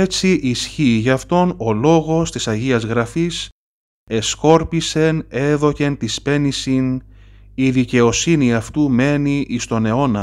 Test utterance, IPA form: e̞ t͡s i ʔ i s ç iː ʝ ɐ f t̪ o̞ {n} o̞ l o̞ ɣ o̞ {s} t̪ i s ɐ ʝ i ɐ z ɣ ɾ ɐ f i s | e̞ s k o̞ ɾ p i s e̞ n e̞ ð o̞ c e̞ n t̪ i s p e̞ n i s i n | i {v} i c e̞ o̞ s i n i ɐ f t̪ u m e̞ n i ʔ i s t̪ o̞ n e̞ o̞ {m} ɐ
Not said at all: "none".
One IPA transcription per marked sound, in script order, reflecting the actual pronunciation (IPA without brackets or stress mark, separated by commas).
n, s, ð, n